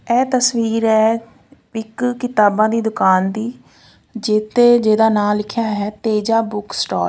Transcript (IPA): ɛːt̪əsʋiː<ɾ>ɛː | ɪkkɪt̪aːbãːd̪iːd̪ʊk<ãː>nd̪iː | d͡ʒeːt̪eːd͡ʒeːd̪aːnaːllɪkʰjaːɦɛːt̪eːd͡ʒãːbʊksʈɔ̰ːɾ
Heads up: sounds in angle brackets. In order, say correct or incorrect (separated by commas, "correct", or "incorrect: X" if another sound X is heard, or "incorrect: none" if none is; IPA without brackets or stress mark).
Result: correct, incorrect: aː